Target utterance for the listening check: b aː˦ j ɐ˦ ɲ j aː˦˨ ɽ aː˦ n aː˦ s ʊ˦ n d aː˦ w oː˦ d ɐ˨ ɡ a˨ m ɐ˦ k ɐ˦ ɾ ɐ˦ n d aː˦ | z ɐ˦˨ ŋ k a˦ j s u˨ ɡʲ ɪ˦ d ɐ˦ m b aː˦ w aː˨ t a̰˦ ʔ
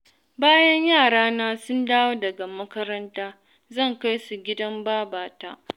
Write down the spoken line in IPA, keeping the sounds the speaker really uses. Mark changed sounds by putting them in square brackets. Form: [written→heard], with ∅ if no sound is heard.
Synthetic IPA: b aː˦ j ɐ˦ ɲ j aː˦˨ ɽ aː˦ n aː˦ s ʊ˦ n d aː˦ w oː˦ d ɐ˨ ɡ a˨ m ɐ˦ k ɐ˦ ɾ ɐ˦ n [d→t] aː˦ | z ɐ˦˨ ŋ k a˦ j s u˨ ɡʲ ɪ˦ d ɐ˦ m b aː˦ [w→b] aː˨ t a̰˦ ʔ